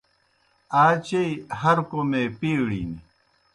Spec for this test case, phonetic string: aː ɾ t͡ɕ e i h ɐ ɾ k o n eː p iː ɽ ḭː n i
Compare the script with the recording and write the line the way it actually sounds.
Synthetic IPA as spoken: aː t͡ɕ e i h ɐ ɾ k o m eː p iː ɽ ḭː n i